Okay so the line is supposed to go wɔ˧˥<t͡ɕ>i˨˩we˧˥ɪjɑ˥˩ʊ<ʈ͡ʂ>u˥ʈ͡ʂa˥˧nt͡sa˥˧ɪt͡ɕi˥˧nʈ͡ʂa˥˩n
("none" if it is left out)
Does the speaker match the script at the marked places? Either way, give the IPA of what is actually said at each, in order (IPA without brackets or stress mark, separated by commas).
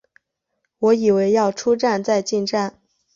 none, ʈ͡ʂʰ